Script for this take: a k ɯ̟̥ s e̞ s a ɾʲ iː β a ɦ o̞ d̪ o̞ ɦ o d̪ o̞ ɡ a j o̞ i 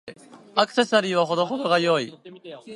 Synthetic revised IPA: a k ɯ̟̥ s e̞ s a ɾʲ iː β a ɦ o̞ d̪ o̞ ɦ o d̪ o̞ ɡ a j o̞ i